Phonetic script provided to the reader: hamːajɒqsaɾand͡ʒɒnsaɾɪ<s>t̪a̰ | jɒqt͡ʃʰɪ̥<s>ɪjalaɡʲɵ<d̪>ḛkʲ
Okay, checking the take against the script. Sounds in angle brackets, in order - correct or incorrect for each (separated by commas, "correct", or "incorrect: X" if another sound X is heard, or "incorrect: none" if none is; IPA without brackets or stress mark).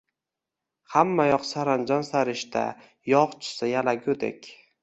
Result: incorrect: ʃ, correct, correct